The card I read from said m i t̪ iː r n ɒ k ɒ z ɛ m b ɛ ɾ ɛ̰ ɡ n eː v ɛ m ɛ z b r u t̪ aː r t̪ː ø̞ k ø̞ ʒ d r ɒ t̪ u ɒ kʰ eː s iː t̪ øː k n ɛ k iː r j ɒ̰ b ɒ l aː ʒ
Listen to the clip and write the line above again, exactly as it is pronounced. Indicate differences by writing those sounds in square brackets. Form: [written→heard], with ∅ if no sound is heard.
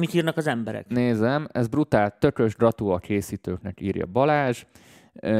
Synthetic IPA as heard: m i t̪ iː r n ɒ k ɒ z ɛ m b ɛ ɾ ɛ̰ [ɡ→k] n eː [v→z] ɛ m ɛ z b r u t̪ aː [r→l] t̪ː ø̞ k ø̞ ʒ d r ɒ t̪ u ɒ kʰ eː s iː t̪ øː k n ɛ k iː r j ɒ̰ b ɒ l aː ʒ